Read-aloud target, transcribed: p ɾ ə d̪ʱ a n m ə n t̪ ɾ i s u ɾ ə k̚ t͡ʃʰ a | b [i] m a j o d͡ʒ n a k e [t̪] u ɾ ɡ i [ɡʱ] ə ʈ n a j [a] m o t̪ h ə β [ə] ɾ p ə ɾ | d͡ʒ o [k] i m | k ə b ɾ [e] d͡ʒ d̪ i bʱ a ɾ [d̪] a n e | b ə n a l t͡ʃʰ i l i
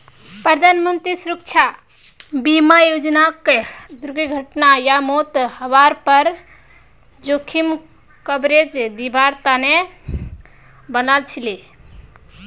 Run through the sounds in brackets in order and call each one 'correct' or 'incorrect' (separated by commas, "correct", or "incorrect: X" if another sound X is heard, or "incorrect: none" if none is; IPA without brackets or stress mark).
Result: correct, incorrect: d̪, correct, correct, incorrect: a, incorrect: kʰ, correct, incorrect: t̪